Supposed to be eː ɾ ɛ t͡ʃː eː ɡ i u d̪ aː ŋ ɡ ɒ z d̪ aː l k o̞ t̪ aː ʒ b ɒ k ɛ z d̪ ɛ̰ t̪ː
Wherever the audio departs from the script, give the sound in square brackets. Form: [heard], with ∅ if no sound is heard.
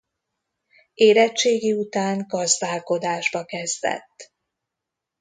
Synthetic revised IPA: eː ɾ ɛ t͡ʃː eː ɡ i u [t̪] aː ŋ ɡ ɒ z d̪ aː l k o̞ [d̪] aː ʒ b ɒ k ɛ z d̪ ɛ̰ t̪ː